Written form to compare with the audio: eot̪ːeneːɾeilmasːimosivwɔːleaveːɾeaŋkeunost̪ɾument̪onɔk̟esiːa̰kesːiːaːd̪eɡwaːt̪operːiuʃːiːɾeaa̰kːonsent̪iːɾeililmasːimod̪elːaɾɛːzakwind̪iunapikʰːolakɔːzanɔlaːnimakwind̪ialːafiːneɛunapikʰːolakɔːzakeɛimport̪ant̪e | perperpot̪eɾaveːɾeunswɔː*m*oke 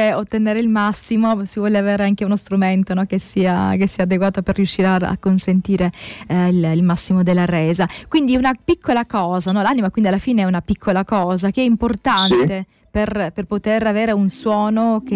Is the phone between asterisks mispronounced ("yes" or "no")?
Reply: yes